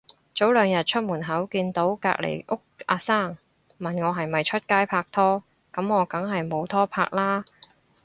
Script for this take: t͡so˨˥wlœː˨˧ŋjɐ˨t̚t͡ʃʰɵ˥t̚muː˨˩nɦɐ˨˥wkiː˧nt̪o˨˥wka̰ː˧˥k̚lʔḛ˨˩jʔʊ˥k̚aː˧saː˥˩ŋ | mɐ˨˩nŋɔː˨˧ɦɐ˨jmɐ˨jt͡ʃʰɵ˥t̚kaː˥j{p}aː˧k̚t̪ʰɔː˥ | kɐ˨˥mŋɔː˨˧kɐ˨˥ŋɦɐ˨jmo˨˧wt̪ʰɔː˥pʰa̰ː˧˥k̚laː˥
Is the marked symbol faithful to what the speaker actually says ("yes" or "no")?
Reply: no